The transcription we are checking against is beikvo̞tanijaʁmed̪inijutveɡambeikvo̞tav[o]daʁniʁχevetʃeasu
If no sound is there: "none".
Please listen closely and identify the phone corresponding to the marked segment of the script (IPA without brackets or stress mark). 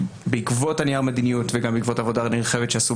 o